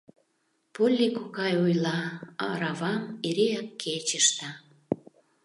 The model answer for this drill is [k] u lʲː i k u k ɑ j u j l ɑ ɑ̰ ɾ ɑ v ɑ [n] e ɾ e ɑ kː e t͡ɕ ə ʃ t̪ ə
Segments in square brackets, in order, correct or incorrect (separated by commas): incorrect, incorrect